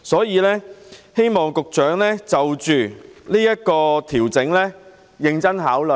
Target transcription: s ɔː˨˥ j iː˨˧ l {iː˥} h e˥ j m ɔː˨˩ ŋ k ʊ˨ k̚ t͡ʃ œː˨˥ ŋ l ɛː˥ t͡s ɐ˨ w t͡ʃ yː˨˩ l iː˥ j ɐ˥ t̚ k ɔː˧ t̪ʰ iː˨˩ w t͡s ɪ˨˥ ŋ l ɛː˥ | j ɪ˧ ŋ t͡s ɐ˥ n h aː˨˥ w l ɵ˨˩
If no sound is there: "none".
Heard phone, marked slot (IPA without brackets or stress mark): ɛː˥